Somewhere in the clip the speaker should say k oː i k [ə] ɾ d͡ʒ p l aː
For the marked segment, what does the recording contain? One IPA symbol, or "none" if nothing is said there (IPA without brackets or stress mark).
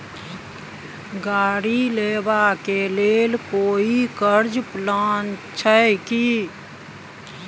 ə